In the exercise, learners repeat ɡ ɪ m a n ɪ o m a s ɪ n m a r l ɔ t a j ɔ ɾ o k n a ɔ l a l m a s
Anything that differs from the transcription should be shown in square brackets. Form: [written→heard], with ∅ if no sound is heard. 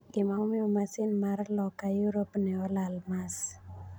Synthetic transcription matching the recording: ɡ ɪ m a [n→m] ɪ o m a s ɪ n m a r l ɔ [t→k] a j [ɔ→u] ɾ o [k→p] n [a→ɛ] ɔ l a l m a s

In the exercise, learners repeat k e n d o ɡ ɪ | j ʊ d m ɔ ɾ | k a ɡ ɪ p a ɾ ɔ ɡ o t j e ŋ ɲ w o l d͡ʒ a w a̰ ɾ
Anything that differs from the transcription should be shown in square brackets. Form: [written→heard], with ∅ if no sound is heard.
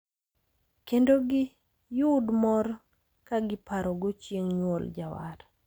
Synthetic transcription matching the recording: k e n d o ɡ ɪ | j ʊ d m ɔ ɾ | k a ɡ ɪ p a ɾ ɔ ɡ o [t→t͡ʃ] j e ŋ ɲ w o l d͡ʒ a w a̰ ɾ

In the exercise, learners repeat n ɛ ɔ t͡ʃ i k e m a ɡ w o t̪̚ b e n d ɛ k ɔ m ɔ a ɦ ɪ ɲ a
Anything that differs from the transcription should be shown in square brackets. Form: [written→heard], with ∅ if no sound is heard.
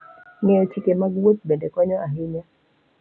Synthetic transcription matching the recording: [n→ŋ] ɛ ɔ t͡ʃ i k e m a ɡ w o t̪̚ b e n d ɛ k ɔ [m→ɲ] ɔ a ɦ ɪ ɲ a

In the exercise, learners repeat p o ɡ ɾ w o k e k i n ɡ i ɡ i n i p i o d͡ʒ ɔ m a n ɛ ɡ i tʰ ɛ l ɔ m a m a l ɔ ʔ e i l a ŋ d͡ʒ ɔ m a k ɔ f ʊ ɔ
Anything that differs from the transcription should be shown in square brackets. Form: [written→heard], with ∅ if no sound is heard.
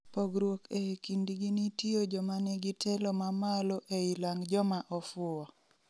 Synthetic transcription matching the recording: p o ɡ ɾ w o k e k i n [ɡ→d] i ɡ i n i [p→t] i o d͡ʒ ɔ m a n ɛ ɡ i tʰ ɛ l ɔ m a m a l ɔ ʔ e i l a ŋ d͡ʒ ɔ m a [k→ʔ] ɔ f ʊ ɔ

